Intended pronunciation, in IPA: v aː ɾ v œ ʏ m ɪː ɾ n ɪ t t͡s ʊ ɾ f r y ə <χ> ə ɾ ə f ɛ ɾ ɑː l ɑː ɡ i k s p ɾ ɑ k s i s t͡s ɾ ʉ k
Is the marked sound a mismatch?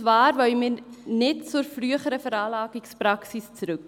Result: no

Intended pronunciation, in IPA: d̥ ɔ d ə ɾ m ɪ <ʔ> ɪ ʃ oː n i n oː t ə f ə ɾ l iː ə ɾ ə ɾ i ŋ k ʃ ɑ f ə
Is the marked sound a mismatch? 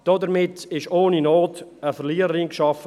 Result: yes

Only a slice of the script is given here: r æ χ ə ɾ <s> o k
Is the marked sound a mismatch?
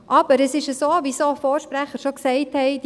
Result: yes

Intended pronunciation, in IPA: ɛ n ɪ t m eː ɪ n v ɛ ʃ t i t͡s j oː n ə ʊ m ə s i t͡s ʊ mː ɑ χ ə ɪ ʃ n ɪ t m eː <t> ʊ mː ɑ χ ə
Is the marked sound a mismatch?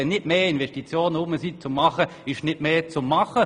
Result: yes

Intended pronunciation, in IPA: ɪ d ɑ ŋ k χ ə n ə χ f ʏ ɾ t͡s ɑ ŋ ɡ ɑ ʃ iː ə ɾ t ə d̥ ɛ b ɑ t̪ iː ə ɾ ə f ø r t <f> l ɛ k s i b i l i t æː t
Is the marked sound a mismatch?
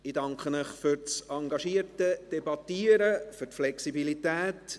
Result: no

